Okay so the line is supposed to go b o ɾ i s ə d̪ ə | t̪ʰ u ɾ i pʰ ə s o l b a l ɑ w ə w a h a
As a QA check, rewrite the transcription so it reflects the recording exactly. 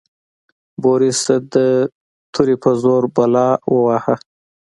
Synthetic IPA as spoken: b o ɾ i s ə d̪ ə | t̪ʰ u ɾ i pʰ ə z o ɾ b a l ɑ w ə w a h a